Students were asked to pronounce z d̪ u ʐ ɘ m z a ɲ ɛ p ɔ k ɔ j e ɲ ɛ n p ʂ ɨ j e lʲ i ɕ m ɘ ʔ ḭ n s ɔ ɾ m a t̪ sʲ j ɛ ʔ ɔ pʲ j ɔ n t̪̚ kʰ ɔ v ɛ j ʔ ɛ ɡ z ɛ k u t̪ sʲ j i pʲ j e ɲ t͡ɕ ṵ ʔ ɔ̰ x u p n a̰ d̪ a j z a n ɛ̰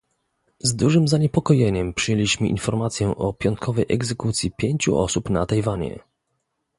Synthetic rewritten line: z d̪ u ʐ ɘ m z a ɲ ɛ p ɔ k ɔ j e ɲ ɛ m p ʂ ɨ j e lʲ i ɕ m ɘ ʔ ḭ n f ɔ ɾ m a t̪ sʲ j ɛ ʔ ɔ pʲ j ɔ n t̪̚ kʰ ɔ v ɛ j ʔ ɛ ɡ z ɛ k u t̪ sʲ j i pʲ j e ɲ t͡ɕ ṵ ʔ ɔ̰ s u p n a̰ t̪ a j v a ɲ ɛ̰